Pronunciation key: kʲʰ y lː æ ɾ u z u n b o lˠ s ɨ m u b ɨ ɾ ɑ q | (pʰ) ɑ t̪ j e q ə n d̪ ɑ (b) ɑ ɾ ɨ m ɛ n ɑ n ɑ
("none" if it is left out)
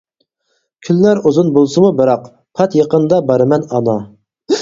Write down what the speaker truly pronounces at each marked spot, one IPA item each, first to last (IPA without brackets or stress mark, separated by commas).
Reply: pʰ, b